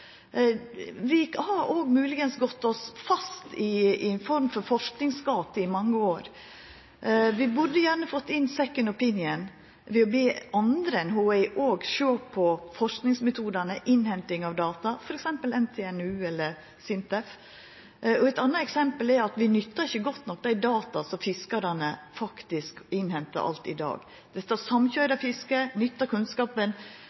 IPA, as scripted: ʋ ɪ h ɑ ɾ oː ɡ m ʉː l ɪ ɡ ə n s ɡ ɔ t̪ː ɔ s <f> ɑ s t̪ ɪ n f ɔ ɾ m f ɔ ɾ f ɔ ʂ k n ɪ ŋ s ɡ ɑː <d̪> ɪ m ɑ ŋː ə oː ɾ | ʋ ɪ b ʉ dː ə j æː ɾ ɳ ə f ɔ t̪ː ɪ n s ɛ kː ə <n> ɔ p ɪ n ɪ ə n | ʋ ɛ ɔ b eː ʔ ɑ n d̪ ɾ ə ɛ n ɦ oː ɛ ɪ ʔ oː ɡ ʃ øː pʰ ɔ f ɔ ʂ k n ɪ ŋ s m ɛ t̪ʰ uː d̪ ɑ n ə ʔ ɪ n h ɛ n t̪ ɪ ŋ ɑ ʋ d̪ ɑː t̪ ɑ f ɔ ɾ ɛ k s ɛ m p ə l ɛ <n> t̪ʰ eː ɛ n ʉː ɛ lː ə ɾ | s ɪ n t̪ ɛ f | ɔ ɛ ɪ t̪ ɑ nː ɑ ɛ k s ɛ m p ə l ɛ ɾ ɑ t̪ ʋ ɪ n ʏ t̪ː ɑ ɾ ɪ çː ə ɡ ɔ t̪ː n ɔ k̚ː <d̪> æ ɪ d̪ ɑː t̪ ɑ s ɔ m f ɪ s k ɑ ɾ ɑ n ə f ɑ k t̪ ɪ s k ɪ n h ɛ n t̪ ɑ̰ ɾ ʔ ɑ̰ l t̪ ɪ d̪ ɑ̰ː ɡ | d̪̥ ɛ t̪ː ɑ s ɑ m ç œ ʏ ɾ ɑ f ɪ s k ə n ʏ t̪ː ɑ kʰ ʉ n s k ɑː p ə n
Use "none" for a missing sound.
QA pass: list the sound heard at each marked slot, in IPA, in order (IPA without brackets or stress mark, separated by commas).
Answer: f, t̪, n, n, d̪